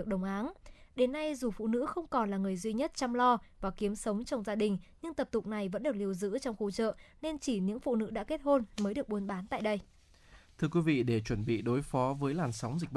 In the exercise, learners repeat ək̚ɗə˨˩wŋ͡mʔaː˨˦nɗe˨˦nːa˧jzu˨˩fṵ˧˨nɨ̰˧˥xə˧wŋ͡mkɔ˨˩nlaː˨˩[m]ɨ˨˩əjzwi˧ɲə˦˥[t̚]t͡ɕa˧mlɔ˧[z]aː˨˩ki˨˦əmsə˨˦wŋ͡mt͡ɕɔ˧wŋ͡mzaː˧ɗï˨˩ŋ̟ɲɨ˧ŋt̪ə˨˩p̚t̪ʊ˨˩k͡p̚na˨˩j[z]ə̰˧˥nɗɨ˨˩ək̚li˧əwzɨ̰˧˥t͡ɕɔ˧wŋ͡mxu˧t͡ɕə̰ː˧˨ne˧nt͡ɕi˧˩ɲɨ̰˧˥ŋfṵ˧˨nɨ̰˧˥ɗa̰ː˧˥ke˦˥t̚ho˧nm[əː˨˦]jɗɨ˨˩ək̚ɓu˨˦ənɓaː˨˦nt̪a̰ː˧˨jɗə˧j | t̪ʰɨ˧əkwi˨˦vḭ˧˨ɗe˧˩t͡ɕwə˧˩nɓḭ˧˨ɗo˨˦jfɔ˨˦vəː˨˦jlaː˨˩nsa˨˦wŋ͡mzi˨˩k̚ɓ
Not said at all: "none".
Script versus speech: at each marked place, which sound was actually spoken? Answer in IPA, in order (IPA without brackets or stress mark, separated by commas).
ŋ, t̚, v, v, əː˨˦